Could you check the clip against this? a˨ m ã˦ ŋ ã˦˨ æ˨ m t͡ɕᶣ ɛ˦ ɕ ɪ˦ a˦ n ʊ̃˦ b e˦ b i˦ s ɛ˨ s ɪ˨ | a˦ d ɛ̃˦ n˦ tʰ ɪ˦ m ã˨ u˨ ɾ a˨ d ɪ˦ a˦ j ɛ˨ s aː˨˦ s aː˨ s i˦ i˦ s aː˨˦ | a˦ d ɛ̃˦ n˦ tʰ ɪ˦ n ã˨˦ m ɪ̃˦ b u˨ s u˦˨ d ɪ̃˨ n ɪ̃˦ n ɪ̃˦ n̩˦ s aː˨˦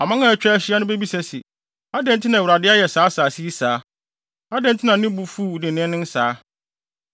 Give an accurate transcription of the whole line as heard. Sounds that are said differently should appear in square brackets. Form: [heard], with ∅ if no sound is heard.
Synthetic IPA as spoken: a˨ m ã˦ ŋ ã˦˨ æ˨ [∅] t͡ɕᶣ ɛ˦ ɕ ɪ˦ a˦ n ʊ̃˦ b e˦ b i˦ s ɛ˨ s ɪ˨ | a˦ d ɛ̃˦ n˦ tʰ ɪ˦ [n] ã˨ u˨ ɾ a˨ d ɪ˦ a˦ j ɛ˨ s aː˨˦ s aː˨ s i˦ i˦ s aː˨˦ | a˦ d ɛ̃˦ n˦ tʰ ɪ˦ n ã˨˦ [n] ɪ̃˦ b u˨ [f] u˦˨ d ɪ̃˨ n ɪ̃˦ n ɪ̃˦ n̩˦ s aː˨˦

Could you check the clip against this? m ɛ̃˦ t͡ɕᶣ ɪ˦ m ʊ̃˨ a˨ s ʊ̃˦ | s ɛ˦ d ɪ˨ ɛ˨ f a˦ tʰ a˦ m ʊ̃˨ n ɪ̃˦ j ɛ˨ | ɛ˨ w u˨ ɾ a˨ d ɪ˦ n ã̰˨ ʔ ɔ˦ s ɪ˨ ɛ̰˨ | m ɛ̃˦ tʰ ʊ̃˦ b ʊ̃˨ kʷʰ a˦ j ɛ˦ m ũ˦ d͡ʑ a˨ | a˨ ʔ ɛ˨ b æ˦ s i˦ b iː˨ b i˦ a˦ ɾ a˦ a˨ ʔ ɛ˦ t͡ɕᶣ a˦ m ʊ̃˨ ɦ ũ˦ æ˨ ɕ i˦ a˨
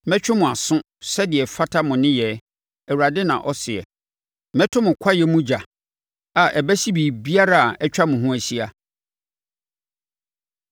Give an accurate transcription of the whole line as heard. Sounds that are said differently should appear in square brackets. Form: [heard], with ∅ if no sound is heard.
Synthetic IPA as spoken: m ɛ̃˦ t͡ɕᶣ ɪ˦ m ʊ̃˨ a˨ s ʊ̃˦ | s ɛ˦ d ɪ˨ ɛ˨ f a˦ tʰ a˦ m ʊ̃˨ n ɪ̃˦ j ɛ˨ | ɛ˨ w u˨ ɾ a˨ d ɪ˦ n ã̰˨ ʔ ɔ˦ s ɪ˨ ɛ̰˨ | m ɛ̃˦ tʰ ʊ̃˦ [m] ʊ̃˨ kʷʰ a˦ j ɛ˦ m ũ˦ d͡ʑ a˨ | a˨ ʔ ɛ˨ b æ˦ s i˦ b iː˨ b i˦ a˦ ɾ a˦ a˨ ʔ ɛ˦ t͡ɕᶣ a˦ m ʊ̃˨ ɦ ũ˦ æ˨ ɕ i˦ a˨

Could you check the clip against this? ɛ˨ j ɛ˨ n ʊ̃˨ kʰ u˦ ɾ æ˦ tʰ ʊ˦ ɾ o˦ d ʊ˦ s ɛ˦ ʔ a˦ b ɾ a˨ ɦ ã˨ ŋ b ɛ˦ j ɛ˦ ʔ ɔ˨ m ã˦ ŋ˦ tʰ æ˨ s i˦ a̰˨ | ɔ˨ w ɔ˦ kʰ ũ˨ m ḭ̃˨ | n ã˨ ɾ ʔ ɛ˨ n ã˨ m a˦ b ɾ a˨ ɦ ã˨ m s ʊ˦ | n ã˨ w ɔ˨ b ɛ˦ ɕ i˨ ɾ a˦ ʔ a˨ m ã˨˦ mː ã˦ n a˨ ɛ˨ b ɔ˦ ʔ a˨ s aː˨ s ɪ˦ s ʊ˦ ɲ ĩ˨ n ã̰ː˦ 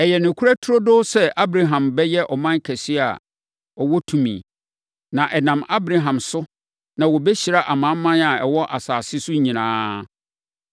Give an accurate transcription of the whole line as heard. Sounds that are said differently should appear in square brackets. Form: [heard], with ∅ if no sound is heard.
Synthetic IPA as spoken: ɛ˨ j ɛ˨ n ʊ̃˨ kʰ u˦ ɾ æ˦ tʰ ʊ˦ ɾ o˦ d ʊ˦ s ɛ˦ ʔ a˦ b ɾ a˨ ɦ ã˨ [m] b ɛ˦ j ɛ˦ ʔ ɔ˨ m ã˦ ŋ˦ [kʰ] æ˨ s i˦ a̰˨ | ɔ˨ w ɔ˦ [tʰ] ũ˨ m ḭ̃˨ | n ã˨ [∅] ʔ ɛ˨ n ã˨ m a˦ b ɾ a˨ ɦ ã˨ m s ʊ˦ | n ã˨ w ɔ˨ b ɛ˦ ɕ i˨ ɾ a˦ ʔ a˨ m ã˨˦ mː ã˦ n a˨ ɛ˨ [w] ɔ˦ ʔ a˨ s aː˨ s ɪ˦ s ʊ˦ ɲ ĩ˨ n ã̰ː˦

